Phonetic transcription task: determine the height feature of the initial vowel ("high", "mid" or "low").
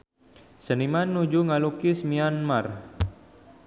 mid